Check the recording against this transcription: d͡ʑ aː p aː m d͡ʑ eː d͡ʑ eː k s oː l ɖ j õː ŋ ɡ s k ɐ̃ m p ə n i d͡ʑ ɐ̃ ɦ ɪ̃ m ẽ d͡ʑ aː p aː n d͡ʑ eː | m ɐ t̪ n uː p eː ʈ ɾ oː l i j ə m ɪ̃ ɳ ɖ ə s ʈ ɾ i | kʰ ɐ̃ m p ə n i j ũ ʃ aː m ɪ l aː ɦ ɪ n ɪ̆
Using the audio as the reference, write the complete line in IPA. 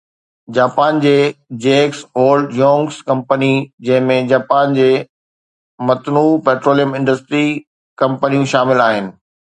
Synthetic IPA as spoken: d͡ʑ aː p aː n d͡ʑ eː d͡ʑ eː k s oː l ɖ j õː ŋ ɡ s k ɐ̃ m p ə n i d͡ʑ ɐ̃ ɦ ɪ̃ m ẽ d͡ʑ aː p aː n d͡ʑ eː | m ɐ t̪ n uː p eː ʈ ɾ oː l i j ə m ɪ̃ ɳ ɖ ə s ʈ ɾ i | k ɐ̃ m p ə n i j ũ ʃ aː m ɪ l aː ɦ ɪ n ɪ̆